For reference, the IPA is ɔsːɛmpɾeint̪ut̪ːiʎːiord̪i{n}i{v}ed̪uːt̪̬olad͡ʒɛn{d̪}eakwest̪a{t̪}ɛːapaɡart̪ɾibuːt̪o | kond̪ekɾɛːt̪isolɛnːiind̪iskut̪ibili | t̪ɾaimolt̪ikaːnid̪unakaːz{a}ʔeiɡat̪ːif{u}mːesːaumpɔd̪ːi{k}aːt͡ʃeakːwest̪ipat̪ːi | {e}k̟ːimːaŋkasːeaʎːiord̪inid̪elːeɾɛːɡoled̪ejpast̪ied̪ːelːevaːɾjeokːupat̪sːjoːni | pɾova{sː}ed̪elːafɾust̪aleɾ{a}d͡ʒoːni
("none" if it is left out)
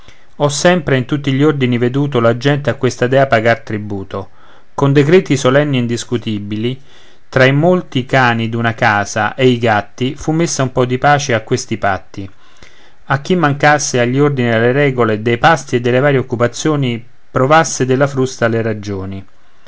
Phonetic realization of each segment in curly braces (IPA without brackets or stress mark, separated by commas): n, v, t̪, d̪, a, u, p, a, sː, a